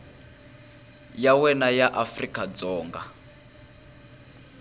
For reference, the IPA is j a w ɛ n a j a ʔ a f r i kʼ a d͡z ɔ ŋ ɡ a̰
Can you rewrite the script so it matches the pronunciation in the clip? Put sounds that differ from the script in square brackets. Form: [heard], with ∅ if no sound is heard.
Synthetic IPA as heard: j a w ɛ n a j a ʔ a f r i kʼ a d͡z [ɔː] ŋ ɡ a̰